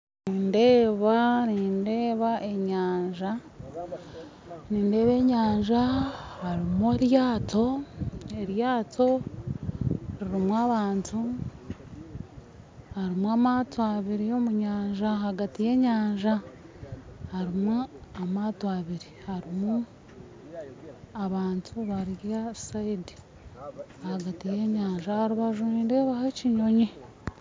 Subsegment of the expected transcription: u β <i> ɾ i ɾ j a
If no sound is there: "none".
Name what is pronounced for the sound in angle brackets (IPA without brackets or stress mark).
a